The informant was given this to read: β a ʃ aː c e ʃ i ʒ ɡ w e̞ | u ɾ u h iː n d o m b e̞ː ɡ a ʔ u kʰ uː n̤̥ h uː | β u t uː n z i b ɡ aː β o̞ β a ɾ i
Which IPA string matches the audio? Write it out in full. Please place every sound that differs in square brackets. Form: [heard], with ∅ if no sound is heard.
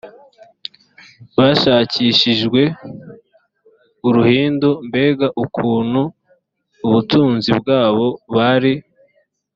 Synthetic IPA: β a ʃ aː c [i] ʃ i ʒ ɡ w e̞ | u ɾ u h iː n d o m b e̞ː ɡ a ʔ u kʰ uː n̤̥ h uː | β u t uː n z i b ɡ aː β o̞ β a ɾ i

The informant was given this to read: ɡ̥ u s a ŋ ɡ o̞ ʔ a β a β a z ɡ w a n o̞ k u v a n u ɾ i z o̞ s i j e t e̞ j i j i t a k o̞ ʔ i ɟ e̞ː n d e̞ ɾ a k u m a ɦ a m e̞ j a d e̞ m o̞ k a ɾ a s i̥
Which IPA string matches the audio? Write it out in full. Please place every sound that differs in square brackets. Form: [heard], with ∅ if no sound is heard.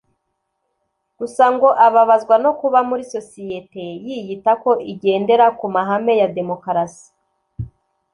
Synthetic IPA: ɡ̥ u s a ŋ ɡ o̞ ʔ a β a β a z ɡ w a n o̞ k u [β] a [m] u ɾ i [s] o̞ s i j e t e̞ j i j i t a k o̞ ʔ i ɟ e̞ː n d e̞ ɾ a k u m a ɦ a m e̞ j a d e̞ m o̞ k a ɾ a s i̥

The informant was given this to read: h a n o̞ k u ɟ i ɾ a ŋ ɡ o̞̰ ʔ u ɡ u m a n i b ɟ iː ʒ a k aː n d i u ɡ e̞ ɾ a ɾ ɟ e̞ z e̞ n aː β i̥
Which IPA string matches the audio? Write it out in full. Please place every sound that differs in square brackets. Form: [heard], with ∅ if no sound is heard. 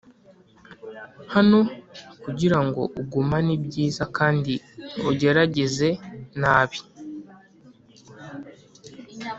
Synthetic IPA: h a n o̞ k u ɟ i ɾ a ŋ ɡ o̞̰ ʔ u ɡ u m a n i b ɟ iː [z] a k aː n d i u [ɟ] e̞ ɾ a [∅] ɟ e̞ z e̞ n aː β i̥

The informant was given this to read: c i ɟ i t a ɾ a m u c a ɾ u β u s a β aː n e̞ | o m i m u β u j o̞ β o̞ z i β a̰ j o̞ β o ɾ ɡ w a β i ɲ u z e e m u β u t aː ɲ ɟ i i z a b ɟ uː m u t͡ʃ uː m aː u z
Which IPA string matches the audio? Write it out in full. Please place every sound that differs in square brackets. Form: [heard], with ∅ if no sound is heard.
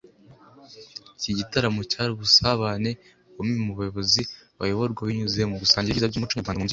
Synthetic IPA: c i ɟ i t a ɾ a m u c a ɾ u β u s a β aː n e̞ | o m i m u β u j o̞ β o̞ z i β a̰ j o̞ β o ɾ ɡ w a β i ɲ u z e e m u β u [s] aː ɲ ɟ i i z a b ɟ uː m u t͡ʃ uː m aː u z

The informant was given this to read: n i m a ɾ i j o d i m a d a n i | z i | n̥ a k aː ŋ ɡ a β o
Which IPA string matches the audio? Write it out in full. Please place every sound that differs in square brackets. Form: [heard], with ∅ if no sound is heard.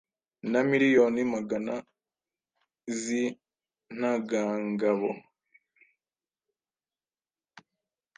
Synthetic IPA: n [a] m [i] ɾ i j o [n] i m a [ɡ] a n [a] | z i | n̥ a [ɡ] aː ŋ ɡ a β o

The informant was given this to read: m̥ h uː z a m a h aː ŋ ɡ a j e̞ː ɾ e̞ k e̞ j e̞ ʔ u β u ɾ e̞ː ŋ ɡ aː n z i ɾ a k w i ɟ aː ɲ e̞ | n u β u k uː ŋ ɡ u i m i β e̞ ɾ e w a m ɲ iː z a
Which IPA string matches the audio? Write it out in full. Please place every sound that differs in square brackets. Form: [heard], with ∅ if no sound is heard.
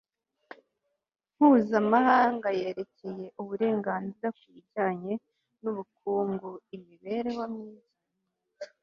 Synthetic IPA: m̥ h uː z a m a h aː ŋ ɡ a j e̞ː ɾ e̞ [c] e̞ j e̞ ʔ u β u ɾ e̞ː ŋ ɡ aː n z i ɾ a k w i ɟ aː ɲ e̞ | n u β u k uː ŋ ɡ u i m i β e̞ ɾ e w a m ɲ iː z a

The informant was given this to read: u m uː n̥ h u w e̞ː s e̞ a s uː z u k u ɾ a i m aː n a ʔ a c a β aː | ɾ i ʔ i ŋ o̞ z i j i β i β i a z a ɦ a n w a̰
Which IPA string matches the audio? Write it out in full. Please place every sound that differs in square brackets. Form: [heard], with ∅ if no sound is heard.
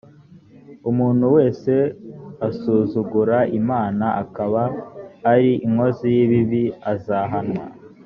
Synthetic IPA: u m uː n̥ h u w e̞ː s e̞ a s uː z u [ɡ] u ɾ a i m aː n a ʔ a [k] a β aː | ɾ i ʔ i ŋ o̞ z i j i β i β i a z a ɦ a n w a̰

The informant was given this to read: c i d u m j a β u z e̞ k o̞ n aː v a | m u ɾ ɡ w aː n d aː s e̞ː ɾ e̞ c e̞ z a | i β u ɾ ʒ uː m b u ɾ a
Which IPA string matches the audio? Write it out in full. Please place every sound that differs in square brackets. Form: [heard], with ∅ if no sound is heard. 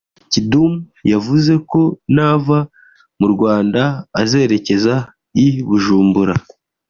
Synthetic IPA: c i d u m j a [v] u z e̞ k o̞ n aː v a | m u ɾ ɡ w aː n d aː [z] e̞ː ɾ e̞ c e̞ z a | i β u [∅] ʒ uː m b u ɾ a

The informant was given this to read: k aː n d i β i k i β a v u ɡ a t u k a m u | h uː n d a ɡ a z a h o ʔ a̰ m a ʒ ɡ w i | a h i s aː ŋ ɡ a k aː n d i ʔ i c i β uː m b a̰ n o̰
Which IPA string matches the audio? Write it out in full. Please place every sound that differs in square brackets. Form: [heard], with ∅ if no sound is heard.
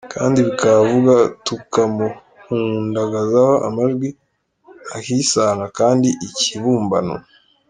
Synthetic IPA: k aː n d i β i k [a] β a v u ɡ a t u k a m u | h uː n d a ɡ a z a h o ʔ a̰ m a ʒ ɡ w i | a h i s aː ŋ ɡ a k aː n d i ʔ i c i β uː m b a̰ n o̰

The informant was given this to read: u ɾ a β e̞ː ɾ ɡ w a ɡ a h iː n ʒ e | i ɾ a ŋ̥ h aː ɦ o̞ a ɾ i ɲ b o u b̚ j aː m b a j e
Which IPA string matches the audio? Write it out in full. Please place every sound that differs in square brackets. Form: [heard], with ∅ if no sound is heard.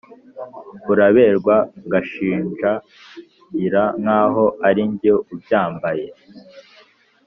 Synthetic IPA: u ɾ a β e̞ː ɾ ɡ w a ɡ a [ʃ] iː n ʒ [a] | i ɾ a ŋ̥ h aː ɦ o̞ a ɾ i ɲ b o u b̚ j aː m b a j e

